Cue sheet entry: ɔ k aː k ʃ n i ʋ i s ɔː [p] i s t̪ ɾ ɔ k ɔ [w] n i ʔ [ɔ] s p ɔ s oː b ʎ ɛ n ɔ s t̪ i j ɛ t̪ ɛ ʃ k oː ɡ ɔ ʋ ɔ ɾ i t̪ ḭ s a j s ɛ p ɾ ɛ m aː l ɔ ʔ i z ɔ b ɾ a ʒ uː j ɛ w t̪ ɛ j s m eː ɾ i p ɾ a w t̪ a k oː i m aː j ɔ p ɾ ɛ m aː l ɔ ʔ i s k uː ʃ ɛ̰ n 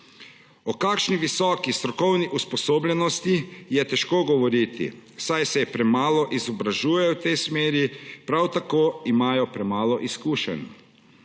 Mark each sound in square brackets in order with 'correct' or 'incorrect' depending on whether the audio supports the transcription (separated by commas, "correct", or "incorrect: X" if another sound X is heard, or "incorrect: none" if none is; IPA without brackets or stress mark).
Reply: incorrect: k, correct, incorrect: u